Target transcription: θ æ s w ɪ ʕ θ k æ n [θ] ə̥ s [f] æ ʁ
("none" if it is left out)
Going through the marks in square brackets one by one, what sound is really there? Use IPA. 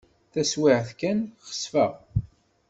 χ, f

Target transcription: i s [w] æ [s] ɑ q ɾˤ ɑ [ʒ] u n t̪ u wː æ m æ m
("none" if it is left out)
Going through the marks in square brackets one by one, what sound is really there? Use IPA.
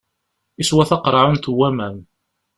w, θ, ʕ

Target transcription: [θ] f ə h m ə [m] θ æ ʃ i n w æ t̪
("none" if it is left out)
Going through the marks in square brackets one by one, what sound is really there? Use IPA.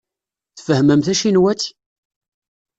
θ, m

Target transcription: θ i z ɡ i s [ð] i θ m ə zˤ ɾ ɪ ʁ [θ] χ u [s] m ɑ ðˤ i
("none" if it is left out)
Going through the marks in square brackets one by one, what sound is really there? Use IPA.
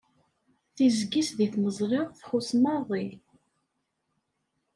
ð, θ, s

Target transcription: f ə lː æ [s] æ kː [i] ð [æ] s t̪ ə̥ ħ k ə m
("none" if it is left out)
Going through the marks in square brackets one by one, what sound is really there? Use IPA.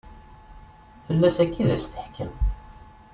s, i, æ

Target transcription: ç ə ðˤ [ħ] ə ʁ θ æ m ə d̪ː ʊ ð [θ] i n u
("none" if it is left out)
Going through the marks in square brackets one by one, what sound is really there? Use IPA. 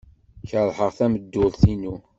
ħ, θ

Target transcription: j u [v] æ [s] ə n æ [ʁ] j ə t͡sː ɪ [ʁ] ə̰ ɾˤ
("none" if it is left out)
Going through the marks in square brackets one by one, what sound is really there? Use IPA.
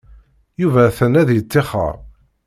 v, θ, ð, χ

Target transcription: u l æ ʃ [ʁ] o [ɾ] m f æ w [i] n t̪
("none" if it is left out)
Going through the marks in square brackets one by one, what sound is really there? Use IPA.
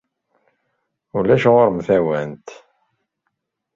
ʁ, ɾ, æ

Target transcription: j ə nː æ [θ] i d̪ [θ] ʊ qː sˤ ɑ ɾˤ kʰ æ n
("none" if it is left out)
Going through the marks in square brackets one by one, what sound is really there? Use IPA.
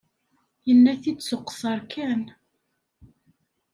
θ, s

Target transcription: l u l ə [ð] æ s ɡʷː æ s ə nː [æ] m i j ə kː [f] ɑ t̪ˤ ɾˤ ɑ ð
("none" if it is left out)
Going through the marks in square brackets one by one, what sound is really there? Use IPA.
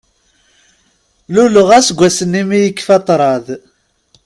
ʁ, i, f

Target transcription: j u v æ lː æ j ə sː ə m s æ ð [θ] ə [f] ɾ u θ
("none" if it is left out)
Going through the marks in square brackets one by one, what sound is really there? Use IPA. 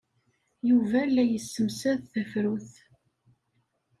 θ, f

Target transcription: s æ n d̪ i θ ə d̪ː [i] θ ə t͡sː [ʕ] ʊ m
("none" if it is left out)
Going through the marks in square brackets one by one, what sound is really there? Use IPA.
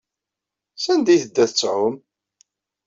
æ, ʕ

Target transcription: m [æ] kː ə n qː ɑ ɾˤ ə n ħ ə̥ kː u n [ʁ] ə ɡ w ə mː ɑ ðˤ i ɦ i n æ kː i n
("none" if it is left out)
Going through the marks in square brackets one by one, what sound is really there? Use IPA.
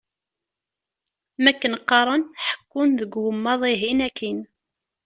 æ, ð

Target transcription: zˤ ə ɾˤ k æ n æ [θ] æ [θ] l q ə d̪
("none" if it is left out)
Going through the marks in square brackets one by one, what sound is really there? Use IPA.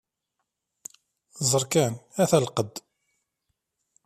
θ, none

